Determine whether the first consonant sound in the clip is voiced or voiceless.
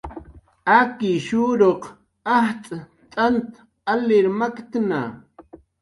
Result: voiceless